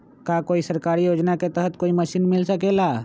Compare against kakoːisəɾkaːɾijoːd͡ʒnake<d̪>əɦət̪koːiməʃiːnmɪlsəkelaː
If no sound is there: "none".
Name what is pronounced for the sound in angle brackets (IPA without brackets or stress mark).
t̪